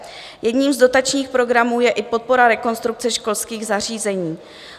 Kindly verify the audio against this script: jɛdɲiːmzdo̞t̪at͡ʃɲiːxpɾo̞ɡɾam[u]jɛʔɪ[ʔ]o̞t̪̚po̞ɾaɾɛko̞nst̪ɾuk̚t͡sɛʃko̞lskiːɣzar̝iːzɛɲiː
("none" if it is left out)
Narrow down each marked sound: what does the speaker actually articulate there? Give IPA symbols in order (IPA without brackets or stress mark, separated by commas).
uː, p